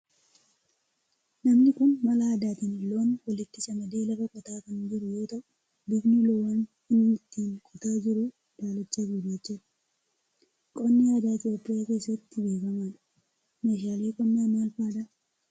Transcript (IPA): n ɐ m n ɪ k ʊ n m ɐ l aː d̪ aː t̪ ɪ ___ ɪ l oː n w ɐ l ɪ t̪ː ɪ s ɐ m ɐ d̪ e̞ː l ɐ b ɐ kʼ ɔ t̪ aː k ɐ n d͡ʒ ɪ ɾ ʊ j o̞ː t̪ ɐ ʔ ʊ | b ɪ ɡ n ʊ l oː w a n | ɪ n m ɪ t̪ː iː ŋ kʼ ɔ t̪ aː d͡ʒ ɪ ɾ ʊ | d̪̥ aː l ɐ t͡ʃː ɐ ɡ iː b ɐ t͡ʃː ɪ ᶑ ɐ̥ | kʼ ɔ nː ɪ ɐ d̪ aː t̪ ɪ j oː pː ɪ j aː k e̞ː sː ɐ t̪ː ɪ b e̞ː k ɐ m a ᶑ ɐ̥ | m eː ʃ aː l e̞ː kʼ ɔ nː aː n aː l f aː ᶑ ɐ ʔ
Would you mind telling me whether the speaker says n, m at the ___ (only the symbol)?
n